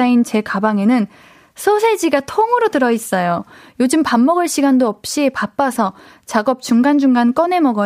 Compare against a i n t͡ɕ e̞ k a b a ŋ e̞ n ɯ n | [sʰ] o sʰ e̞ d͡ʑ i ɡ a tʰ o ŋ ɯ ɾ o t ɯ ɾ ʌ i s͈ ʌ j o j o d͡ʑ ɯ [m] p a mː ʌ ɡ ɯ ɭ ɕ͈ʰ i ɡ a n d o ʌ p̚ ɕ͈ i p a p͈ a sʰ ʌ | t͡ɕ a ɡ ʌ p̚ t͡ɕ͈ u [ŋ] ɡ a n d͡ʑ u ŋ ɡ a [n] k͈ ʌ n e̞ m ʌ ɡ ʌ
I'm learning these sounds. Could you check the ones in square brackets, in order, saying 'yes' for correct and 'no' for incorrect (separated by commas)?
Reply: yes, yes, yes, yes